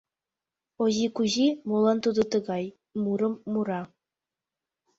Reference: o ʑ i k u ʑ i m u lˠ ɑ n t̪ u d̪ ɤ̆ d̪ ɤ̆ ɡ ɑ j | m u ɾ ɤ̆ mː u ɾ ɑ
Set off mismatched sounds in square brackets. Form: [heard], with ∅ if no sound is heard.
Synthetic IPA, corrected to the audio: o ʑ i k u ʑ i m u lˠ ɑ n t̪ u d̪ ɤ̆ [t̪] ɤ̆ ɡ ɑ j | m u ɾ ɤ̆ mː u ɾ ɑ